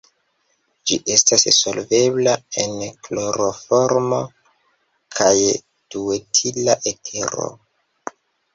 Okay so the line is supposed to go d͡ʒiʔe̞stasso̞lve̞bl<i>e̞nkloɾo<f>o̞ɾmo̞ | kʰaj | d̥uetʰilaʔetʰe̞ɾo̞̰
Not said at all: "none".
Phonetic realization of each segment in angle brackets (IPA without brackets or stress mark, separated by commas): a, f